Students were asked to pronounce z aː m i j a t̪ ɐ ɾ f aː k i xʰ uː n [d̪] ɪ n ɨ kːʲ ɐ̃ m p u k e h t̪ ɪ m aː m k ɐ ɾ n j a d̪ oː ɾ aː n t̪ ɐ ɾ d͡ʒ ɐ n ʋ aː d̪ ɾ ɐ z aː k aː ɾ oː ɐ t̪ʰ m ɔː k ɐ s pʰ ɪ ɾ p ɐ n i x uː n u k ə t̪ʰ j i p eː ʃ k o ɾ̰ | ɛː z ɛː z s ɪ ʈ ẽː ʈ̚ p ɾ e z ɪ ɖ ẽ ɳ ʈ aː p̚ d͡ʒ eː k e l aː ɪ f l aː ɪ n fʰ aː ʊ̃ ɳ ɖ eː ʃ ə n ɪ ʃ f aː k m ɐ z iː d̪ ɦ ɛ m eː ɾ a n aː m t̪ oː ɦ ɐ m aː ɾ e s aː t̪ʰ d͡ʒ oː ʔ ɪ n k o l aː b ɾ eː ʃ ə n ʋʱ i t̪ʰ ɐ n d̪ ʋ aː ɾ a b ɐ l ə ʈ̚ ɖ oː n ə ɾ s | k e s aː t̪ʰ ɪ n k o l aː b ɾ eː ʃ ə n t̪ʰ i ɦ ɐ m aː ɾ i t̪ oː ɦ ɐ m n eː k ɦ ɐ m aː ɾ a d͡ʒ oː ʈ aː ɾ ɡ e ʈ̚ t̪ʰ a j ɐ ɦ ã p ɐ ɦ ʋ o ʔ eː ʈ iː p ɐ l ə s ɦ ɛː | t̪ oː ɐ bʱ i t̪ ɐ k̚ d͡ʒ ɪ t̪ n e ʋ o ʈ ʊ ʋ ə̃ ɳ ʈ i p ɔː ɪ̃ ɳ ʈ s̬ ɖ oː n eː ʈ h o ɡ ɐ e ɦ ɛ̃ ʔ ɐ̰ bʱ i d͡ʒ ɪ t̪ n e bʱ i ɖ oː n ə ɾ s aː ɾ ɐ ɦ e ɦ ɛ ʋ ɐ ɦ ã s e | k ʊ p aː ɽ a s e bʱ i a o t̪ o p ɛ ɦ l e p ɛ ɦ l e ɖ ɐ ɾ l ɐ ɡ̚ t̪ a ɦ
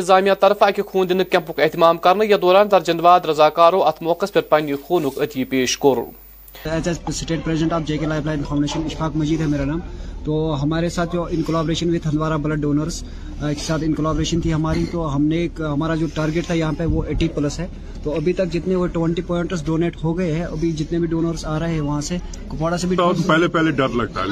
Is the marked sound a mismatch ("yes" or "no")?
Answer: no